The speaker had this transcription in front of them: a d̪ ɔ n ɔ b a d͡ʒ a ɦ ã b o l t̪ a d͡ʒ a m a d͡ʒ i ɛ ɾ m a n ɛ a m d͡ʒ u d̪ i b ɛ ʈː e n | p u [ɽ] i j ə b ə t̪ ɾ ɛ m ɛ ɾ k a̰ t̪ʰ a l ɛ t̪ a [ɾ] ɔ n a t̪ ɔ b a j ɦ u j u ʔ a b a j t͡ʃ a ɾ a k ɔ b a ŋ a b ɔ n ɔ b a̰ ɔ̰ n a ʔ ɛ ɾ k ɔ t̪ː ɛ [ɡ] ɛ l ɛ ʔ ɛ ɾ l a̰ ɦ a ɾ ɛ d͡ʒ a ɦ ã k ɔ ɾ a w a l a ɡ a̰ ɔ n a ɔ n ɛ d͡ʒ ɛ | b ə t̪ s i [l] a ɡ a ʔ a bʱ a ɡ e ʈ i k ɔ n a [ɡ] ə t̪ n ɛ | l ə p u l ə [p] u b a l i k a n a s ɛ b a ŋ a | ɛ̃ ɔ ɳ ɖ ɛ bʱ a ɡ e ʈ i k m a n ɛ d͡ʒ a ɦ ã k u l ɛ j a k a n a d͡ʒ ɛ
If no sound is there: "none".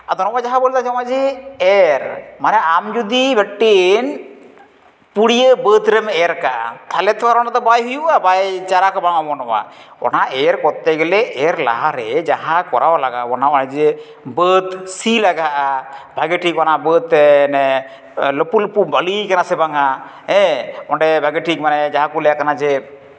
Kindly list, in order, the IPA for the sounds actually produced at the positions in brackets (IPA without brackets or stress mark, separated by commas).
ɽ, ɾ, ɡ, l, b, p